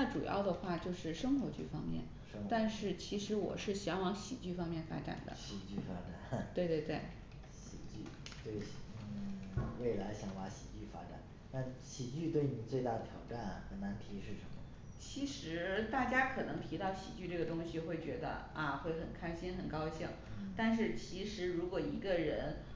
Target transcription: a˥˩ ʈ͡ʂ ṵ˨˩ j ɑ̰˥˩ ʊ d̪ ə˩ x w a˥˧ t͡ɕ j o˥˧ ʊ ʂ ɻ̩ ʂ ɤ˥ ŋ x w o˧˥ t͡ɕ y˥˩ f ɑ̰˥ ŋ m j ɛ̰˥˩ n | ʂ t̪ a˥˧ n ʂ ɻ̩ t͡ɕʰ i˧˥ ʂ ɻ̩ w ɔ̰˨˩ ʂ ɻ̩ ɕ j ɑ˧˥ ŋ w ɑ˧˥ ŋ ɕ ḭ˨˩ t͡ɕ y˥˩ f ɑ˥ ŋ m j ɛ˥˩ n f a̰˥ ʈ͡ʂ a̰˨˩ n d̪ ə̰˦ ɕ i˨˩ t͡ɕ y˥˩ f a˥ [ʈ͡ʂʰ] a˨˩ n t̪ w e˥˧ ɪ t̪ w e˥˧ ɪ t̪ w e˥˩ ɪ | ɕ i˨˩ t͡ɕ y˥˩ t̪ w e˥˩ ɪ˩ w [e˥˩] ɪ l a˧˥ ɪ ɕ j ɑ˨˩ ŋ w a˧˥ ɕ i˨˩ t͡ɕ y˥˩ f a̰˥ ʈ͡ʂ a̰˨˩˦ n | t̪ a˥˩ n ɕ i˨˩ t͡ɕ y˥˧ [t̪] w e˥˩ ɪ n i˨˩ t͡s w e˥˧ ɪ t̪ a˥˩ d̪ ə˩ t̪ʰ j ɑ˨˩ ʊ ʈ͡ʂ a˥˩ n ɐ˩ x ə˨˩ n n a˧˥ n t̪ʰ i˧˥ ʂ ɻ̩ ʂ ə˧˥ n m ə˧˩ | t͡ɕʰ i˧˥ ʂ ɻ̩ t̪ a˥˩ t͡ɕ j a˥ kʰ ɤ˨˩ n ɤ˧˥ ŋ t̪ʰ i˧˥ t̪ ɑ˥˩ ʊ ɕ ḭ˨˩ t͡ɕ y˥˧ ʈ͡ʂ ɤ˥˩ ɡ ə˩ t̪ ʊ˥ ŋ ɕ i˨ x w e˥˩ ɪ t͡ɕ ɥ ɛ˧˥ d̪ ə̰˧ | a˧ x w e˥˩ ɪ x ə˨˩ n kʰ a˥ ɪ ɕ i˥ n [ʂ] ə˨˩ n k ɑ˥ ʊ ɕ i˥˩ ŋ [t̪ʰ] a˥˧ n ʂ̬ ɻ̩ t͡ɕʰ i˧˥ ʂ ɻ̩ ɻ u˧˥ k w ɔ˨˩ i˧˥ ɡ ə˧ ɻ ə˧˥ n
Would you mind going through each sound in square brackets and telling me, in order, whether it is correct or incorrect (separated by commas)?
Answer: incorrect, correct, correct, incorrect, incorrect